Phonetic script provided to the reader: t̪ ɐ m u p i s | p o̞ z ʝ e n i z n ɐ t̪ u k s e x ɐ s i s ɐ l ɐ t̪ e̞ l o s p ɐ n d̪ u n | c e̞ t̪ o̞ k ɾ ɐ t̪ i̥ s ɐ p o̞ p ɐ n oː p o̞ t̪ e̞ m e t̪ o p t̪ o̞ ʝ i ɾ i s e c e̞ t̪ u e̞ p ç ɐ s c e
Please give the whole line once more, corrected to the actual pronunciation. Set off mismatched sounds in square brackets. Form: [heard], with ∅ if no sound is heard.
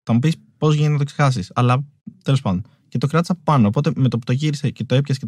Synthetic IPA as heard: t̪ ɐ m u p i s | p o̞ z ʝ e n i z n ɐ t̪ [o] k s e x ɐ s i s ɐ l ɐ t̪ e̞ l o s p ɐ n d̪ [o] n | c e̞ t̪ o̞ k ɾ ɐ t̪ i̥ s ɐ p o̞ p ɐ n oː p o̞ t̪ e̞ m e t̪ o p t̪ o̞ ʝ i ɾ i s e c e̞ t̪ [o] e̞ p ç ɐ s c e